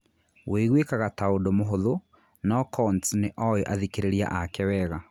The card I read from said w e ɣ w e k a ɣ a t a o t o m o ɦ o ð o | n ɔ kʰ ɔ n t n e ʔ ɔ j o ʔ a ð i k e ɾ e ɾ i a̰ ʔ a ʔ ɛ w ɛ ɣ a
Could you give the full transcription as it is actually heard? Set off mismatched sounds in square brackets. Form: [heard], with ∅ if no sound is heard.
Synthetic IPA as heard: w e ɣ w e k a ɣ a t a o [d] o m o ɦ o ð o | n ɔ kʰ ɔ n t n e ʔ ɔ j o ʔ a ð i k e ɾ e ɾ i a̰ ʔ a [k] ɛ w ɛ ɣ a